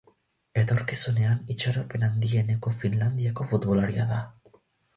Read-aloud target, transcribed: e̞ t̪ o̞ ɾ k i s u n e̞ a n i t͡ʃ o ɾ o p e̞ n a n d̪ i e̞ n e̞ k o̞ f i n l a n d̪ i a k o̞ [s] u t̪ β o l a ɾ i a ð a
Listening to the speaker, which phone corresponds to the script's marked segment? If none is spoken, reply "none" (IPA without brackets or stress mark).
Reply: f